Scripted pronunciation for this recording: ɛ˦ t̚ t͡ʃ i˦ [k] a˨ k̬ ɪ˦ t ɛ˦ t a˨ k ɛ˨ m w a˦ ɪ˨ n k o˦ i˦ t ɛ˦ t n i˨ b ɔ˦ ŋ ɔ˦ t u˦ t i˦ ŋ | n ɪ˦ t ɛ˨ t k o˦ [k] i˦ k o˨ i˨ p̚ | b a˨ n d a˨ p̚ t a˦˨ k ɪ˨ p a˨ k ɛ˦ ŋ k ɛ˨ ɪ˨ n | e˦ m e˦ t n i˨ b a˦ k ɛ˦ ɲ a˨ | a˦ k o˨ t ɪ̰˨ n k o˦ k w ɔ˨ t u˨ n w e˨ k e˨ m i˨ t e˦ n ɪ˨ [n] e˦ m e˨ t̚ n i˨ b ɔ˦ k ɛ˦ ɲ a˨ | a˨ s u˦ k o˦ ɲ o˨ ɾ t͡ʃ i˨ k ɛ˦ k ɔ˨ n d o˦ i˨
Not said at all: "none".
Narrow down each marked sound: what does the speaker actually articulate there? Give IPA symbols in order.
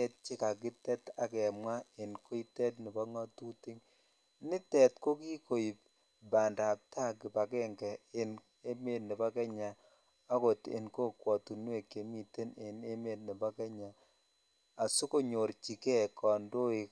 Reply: k, k, n

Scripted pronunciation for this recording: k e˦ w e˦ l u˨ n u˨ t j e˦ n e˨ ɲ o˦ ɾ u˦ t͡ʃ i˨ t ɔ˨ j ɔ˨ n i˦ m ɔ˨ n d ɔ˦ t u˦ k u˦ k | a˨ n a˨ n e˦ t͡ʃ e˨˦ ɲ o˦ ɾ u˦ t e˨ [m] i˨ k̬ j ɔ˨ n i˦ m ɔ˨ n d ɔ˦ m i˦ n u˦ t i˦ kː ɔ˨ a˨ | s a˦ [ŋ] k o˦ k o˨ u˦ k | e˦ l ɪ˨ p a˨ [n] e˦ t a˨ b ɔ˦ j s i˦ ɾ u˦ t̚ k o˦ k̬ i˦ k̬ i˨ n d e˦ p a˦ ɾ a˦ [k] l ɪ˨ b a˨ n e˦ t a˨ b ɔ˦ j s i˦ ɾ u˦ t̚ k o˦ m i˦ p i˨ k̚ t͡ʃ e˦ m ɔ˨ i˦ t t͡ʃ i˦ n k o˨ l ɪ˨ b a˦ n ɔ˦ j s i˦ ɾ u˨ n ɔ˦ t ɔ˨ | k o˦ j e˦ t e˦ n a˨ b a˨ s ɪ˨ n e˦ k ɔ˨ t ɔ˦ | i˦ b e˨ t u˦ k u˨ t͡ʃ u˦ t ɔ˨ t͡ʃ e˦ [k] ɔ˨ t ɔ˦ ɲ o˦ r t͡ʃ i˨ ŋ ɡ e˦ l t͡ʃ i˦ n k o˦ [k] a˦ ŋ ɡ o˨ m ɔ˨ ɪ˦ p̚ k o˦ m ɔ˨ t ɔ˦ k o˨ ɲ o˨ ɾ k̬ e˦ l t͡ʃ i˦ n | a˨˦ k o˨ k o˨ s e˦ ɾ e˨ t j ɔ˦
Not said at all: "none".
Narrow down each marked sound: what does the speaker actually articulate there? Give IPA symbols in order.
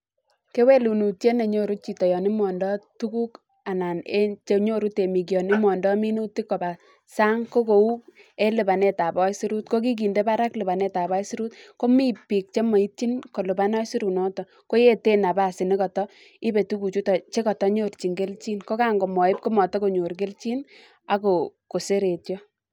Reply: m, ŋ, n, k, k, k

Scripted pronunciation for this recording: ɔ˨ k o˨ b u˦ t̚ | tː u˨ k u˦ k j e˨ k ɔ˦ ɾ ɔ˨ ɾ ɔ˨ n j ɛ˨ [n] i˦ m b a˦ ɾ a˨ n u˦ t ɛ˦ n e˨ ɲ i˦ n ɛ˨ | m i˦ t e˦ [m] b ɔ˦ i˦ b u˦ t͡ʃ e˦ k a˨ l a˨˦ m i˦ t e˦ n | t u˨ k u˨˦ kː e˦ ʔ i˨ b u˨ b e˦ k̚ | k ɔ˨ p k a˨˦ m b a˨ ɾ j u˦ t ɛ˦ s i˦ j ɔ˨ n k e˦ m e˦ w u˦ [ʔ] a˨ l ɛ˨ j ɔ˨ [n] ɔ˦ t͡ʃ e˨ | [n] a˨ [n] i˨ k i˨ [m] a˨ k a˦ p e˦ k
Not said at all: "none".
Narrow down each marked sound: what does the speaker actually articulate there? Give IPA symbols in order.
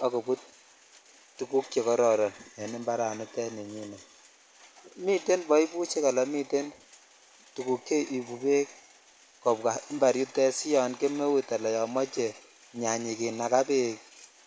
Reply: n, n, t, m, ɲ, ɲ, n

